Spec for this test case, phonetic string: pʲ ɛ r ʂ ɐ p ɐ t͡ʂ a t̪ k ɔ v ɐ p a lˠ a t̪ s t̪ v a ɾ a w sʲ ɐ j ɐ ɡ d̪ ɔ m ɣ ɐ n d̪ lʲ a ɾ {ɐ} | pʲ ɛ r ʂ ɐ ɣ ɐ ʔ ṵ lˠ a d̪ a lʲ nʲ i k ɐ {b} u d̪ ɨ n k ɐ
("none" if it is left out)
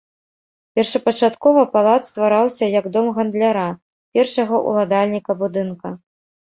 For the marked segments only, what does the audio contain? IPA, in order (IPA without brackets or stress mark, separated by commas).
a, b